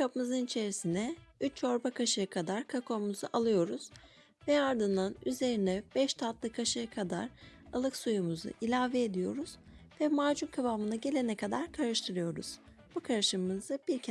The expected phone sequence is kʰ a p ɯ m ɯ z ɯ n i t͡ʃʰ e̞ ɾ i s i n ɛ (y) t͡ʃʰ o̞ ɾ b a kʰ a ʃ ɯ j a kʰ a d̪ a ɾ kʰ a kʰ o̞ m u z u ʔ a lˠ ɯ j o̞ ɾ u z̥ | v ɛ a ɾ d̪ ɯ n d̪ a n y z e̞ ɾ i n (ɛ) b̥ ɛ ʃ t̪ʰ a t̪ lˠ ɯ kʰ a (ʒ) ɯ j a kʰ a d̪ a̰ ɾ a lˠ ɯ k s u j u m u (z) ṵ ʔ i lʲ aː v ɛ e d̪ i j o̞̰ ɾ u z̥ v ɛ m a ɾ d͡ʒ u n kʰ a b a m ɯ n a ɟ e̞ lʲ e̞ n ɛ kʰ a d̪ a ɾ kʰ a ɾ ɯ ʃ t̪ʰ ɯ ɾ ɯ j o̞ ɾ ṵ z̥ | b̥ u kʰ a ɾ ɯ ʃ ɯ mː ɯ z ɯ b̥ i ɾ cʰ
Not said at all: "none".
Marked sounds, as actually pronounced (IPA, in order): y, ɛ, ʃ, z

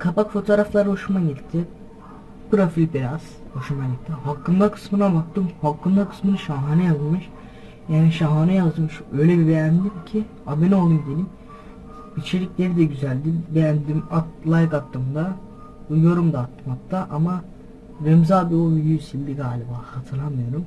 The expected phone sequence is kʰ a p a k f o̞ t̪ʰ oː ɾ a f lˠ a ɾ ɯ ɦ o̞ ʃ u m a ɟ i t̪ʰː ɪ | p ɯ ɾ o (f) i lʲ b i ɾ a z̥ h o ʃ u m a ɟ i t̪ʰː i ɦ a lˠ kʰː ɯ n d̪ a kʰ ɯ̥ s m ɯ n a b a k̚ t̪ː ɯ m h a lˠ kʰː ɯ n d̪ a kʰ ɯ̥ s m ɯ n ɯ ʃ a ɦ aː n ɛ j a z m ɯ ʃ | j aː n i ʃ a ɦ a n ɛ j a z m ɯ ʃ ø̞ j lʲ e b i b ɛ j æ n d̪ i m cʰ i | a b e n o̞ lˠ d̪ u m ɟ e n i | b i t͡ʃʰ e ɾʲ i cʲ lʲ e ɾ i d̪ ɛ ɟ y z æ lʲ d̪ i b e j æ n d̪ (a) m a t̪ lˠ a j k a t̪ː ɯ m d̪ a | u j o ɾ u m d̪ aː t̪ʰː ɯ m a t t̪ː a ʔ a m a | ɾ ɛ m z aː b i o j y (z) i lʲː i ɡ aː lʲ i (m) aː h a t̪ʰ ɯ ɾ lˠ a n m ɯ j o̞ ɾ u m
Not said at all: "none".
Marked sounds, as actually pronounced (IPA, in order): f, i, s, b

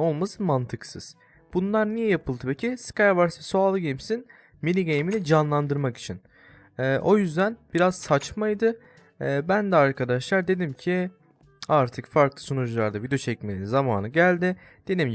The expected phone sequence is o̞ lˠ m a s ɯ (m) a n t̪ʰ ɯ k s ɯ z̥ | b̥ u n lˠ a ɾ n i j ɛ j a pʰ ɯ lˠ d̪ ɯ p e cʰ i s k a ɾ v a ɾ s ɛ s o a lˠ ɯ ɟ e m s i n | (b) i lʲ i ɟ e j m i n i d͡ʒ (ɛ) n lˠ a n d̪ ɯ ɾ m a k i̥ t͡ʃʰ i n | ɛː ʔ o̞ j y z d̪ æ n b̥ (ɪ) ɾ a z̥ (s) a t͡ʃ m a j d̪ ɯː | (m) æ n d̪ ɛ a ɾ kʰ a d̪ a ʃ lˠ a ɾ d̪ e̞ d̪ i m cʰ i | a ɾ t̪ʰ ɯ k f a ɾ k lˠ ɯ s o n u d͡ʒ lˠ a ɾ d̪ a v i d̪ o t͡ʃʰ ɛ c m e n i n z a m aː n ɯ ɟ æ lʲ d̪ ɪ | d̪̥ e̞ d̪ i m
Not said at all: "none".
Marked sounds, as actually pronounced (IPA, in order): m, m, a, i, s, b

